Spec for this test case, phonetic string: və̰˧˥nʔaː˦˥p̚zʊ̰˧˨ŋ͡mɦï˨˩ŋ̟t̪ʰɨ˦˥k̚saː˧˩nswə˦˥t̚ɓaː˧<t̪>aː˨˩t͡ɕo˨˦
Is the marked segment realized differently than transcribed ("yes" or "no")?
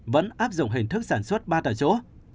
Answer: no